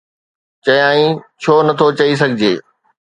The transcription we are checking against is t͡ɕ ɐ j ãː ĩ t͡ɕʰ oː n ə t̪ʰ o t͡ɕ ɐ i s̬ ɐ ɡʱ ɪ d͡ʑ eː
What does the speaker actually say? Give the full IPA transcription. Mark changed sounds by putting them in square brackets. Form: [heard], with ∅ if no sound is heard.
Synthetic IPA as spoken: t͡ɕ ɐ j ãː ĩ t͡ɕʰ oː n [ɐ] t̪ʰ o t͡ɕ ɐ i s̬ ɐ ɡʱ ɪ d͡ʑ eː